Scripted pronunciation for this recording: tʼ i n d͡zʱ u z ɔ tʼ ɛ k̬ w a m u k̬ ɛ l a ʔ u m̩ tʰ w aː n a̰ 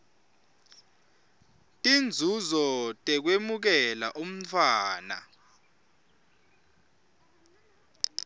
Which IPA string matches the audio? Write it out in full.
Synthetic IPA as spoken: tʼ i n d͡zʱ u z ɔ tʼ ɛ k̬ w e m u k̬ ɛ l a ʔ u m̩ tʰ w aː n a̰